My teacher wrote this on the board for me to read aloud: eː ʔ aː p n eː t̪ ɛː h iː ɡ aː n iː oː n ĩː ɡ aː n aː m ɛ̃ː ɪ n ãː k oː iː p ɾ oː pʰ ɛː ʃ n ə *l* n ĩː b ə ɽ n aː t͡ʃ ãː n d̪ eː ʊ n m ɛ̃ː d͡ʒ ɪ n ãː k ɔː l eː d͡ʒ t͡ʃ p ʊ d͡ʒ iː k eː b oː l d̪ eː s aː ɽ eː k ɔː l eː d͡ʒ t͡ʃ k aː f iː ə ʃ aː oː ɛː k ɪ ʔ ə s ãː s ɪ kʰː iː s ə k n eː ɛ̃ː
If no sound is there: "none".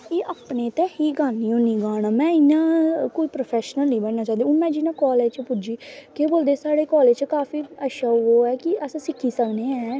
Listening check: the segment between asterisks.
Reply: l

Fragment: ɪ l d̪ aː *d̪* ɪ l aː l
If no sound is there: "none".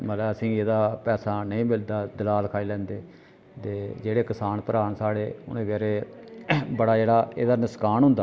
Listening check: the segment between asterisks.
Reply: d̪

